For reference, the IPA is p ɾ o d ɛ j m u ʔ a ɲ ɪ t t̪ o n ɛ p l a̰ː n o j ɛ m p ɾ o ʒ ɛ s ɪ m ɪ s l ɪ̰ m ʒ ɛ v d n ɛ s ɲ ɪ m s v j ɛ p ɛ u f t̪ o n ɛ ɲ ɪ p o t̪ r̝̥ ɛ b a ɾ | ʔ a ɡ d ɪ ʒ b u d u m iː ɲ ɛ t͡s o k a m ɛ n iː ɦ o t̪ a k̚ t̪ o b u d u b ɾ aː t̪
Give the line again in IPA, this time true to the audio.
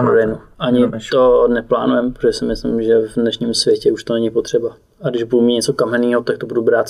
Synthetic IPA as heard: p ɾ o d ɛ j n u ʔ a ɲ ɪ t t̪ o n ɛ p l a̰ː n u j ɛ m p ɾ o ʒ ɛ s ɪ m ɪ s l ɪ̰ m ʒ ɛ v d n ɛ ʃ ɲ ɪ m s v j ɛ c ɛ u ʃ t̪ o n ɛ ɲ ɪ p o t̪ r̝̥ ɛ b a | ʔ a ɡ d ɪ ʒ b u d u m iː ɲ ɛ t͡s o k a m ɛ n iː ɦ o t̪ a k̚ t̪ o b u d u b ɾ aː t̪